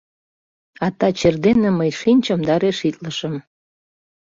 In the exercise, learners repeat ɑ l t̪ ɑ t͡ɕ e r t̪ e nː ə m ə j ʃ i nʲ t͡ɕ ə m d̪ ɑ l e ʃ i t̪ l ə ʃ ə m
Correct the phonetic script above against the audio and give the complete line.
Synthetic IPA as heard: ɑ t̪ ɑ t͡ɕ e r d̪ e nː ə m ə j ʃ i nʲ t͡ɕ ə m d̪ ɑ ɾ e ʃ i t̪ l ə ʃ ə m

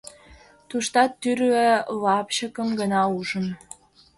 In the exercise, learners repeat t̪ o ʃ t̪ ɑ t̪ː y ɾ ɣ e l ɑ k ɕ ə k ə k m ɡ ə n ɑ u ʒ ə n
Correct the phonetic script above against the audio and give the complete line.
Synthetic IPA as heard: t̪ u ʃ t̪ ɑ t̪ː y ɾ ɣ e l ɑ p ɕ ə k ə m ɡ ə n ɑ u ʒ ə n

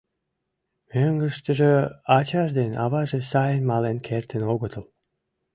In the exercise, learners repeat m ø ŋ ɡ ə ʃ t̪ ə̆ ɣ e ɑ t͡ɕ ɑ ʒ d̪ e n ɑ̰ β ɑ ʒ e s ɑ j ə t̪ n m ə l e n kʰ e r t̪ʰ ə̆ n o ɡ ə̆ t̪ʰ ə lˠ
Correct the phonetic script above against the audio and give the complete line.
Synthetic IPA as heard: m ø ŋ ɡ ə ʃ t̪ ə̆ ʒ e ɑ t͡ɕ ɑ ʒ d̪ e n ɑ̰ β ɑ ʒ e s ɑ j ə n m ɑ l e n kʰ e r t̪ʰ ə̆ n o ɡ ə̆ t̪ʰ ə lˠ

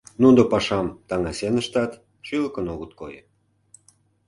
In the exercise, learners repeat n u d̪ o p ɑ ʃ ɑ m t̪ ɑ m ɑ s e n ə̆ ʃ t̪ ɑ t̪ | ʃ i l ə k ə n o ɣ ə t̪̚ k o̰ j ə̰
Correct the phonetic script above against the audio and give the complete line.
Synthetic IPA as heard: n u d̪ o p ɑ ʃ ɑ m t̪ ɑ ŋ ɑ s e n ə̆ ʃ t̪ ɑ t̪ | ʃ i l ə k ə n o ɣ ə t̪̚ k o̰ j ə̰

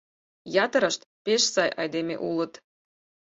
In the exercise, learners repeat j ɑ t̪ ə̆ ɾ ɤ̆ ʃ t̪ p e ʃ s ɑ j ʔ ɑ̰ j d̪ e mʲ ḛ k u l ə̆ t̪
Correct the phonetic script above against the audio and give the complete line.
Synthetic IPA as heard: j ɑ t̪ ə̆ ɾ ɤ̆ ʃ t̪ p e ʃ s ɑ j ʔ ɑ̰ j d̪ e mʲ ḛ ʔ u l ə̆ t̪

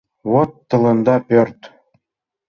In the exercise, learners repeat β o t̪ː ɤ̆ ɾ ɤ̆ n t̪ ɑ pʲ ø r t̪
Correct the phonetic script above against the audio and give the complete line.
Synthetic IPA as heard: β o t̪ː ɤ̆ l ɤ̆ n d̪ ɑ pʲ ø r t̪

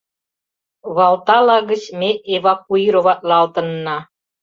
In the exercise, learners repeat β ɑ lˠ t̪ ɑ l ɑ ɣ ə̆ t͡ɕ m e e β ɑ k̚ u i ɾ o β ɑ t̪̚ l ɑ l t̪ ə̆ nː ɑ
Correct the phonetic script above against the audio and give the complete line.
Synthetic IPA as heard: β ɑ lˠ t̪ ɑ l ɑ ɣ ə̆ t͡ɕ m e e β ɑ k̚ u i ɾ o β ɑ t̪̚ l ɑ l t̪ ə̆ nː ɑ

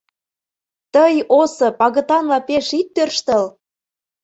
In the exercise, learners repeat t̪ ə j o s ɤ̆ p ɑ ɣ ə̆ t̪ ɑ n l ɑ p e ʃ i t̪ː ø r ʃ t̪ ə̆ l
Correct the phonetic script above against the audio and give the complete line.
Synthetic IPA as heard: t̪ ə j o s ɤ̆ p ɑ ɣ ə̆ t̪ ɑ n l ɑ p e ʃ i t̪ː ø r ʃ t̪ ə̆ l

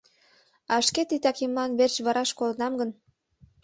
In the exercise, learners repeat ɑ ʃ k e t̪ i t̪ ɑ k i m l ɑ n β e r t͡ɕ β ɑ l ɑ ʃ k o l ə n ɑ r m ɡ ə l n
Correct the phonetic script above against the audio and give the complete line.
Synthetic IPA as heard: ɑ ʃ k e t̪ i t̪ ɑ k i m l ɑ n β e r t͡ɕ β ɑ ɾ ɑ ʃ k o l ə n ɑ m ɡ ə n

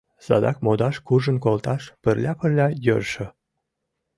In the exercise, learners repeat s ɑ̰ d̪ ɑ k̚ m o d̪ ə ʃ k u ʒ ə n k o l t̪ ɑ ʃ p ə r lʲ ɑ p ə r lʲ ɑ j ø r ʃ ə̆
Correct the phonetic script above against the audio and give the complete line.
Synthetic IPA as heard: s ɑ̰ d̪ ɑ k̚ m o d̪ ɑ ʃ k u ʒ ə n k o l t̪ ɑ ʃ p ə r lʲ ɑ p ə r lʲ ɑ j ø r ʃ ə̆

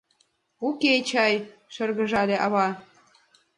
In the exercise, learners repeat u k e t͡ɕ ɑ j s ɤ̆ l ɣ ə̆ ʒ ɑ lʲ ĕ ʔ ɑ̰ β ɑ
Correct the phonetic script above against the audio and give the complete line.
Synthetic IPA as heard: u k e t͡ɕ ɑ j ʃ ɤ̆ r ɣ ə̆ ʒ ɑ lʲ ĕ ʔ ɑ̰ β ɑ

